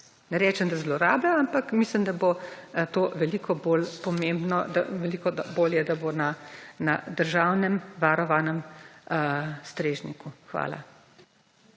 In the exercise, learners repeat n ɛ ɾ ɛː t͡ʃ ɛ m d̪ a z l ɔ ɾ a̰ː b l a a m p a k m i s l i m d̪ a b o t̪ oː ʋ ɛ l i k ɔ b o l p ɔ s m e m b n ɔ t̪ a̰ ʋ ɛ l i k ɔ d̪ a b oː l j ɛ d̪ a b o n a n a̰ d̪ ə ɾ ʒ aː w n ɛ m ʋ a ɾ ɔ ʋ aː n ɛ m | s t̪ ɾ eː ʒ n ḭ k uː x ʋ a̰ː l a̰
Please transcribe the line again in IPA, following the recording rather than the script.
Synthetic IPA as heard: n ɛ ɾ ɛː t͡ʃ ɛ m d̪ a z l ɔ ɾ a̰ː b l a a m p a k m i s l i m d̪ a b o t̪ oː ʋ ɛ l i k ɔ b o l p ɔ m e m b n ɔ d̪ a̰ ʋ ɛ l i k ɔ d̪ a b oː l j ɛ d̪ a b o n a n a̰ d̪ ə ɾ ʒ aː w n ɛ m ʋ a ɾ ɔ ʋ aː n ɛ m | s t̪ ɾ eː ʒ n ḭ k u x ʋ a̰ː l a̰

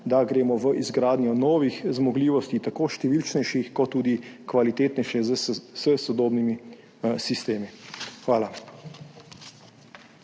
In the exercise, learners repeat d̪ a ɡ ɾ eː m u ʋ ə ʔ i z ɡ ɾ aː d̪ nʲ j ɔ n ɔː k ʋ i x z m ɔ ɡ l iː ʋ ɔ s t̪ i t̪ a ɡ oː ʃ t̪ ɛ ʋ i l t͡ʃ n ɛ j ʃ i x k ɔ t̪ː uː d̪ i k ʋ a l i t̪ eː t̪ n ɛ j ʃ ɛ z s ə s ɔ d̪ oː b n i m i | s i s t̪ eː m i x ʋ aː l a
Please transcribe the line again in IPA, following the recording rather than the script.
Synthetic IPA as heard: d̪ a ɡ ɾ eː m ɔ ʋ ə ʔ i z ɡ ɾ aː d̪ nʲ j ɔ n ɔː ʋ i x z m ɔ ɡ l iː ʋ ɔ s t̪ i t̪ a k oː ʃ t̪ ɛ ʋ i l t͡ʃ n ɛ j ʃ i x k ɔ t̪ː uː d̪ i k ʋ a l i t̪ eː t̪ n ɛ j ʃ ɛ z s ə s ɔ d̪ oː b n i m i | s i s t̪ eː m i x ʋ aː l a

